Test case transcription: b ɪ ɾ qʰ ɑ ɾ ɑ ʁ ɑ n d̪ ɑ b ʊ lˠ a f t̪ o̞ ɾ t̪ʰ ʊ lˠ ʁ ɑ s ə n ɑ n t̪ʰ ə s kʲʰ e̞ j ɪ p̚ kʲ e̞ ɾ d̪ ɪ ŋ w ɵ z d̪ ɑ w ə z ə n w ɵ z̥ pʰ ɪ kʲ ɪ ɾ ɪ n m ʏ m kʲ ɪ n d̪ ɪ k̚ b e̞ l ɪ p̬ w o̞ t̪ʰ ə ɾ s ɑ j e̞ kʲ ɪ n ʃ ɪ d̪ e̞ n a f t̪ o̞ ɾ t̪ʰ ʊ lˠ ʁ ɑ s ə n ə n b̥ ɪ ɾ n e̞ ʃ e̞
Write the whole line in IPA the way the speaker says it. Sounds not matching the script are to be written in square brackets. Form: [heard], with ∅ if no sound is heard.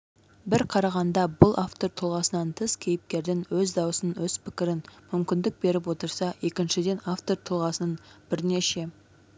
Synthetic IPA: b ɪ ɾ qʰ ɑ ɾ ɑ ʁ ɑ n d̪ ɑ b ʊ lˠ a f t̪ o̞ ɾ t̪ʰ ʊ lˠ ʁ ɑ s ə n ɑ n t̪ʰ ə s kʲʰ e̞ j ɪ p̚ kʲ e̞ ɾ d̪ ɪ ŋ w ɵ z d̪ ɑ w ə [s] ə n w ɵ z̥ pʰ ɪ kʲ ɪ ɾ ɪ n m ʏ m kʲ ɪ n d̪ ɪ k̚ b e̞ [ɾ] ɪ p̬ w o̞ [t̪] ə ɾ s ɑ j e̞ kʲ ɪ n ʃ ɪ d̪ e̞ n a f t̪ o̞ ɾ t̪ʰ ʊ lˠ ʁ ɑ s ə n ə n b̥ ɪ ɾ n e̞ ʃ e̞

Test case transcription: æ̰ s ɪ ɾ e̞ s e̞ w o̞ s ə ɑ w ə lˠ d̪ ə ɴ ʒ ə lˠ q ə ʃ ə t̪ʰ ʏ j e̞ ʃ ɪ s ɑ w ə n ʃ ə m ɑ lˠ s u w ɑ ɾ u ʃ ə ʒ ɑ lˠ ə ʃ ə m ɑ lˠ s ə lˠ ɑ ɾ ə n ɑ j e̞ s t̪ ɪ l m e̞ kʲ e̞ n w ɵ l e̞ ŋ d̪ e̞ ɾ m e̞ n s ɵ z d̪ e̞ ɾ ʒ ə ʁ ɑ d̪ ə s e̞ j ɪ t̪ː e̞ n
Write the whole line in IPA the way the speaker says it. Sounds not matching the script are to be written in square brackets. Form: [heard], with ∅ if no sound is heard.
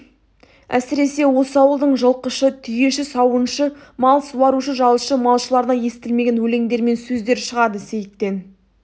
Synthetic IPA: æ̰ s ɪ ɾ e̞ s e̞ w o̞ s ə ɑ w ə lˠ d̪ ə ɴ ʒ ə lˠ q ə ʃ ə t̪ʰ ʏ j e̞ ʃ ɪ s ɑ w ə n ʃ ə m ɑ lˠ s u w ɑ ɾ u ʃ ə ʒ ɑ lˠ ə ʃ ə m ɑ lˠ [ʃ] ə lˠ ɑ ɾ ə n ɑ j e̞ s t̪ ɪ l m e̞ [ɡʲ] e̞ n w ɵ l e̞ ŋ d̪ e̞ ɾ m e̞ n s ɵ z d̪ e̞ ɾ [ʃ] ə ʁ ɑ d̪ ə s e̞ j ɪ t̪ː e̞ n

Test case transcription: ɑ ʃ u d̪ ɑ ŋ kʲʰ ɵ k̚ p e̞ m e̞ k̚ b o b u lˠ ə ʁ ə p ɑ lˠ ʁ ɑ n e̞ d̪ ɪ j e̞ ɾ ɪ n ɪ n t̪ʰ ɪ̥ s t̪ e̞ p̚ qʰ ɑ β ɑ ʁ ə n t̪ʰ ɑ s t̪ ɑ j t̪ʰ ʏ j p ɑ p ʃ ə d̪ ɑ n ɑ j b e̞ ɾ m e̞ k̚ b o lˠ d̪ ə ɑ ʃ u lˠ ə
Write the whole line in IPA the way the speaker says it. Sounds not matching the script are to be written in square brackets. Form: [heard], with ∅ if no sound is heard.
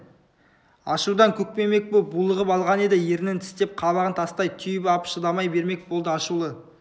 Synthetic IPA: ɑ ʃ u d̪ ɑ ŋ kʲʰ ɵ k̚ p e̞ m e̞ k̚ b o b u lˠ ə ʁ ə p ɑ lˠ ʁ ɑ n e̞ d̪ ɪ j e̞ ɾ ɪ n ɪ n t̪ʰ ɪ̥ s t̪ e̞ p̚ qʰ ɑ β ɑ ʁ ə n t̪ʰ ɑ s t̪ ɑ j t̪ʰ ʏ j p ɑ p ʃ ə d̪ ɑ [m] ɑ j b e̞ ɾ m e̞ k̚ b o lˠ d̪ ə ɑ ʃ u lˠ ə

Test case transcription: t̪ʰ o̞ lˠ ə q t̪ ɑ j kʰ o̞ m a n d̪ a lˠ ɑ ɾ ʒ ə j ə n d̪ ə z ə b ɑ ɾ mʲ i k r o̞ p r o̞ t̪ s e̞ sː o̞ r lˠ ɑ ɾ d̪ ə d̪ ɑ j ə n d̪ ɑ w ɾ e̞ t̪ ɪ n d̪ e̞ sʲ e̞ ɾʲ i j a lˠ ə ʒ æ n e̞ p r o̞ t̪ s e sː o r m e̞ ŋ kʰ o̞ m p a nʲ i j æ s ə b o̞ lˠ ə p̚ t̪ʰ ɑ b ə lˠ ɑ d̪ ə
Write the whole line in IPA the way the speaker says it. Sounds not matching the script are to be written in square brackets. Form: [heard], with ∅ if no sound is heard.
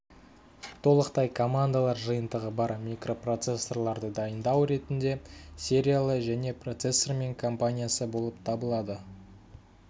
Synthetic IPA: t̪ʰ o̞ lˠ ə q t̪ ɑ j kʰ o̞ m a n d̪ a lˠ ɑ ɾ ʒ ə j ə n d̪ ə [ʁ] ə b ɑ ɾ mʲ i k r o̞ p r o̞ t̪ s e̞ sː o̞ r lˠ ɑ ɾ d̪ ə d̪ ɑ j ə n d̪ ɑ w ɾ e̞ t̪ ɪ n d̪ e̞ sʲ e̞ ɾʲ i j a lˠ ə ʒ æ n e̞ p r o̞ t̪ s e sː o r m e̞ ŋ kʰ o̞ m p a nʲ i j [a] s ə b o̞ lˠ ə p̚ t̪ʰ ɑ b ə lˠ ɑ d̪ ə

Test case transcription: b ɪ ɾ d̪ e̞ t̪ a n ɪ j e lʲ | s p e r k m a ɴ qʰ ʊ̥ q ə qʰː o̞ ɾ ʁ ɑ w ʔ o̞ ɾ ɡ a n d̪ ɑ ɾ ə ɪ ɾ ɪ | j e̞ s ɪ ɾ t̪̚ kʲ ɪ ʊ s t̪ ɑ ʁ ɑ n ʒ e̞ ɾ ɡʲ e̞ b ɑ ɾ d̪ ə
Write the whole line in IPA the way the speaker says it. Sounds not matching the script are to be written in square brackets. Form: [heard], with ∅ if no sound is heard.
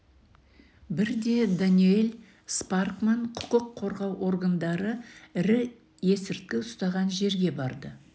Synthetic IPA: b ɪ ɾ d̪ e̞ [d̪] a n [i] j e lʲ | s p [a] r k m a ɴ qʰ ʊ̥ q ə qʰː o̞ ɾ ʁ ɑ w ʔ o̞ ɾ ɡ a n d̪ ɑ ɾ ə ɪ ɾ ɪ | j e̞ s ɪ ɾ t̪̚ kʲ ɪ ʊ s t̪ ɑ ʁ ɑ n ʒ e̞ ɾ ɡʲ e̞ b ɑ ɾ d̪ ə

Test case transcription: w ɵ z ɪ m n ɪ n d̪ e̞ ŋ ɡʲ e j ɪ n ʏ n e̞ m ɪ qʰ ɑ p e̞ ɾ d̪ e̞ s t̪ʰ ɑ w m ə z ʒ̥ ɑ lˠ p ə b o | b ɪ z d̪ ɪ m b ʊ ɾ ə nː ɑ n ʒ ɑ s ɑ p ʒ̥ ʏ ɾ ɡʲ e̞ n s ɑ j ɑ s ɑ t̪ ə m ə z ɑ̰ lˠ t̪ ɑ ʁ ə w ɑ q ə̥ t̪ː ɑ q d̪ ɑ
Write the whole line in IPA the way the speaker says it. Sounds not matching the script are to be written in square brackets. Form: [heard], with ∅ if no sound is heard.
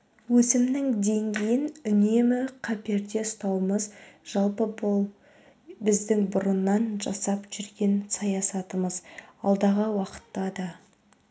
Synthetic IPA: w ɵ [s] ɪ m n ɪ [ŋ] d̪ e̞ ŋ ɡʲ e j ɪ n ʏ n e̞ m ɪ qʰ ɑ p e̞ ɾ d̪ e̞ s [t̪] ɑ w m ə z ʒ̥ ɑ lˠ p ə b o | b ɪ z d̪ ɪ [ŋ] b ʊ ɾ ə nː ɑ n ʒ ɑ s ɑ p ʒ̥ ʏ ɾ ɡʲ e̞ n s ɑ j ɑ s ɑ t̪ ə m ə z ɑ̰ lˠ [d̪] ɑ ʁ ə w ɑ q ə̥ t̪ː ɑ [∅] d̪ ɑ

